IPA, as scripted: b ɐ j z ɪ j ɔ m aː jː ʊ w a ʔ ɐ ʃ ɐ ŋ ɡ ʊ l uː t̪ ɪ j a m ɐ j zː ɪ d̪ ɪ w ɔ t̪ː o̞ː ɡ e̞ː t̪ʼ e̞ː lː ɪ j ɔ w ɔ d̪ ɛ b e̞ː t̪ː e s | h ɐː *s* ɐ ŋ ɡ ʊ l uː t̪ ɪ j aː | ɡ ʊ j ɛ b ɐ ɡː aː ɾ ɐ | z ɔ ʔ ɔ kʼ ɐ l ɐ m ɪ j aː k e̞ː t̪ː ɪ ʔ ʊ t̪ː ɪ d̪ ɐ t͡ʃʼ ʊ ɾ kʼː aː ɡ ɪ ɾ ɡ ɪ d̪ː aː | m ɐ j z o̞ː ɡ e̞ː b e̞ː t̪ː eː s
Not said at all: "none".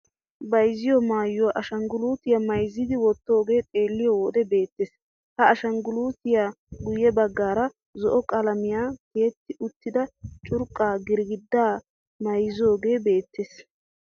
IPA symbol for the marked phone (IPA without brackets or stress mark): ʃ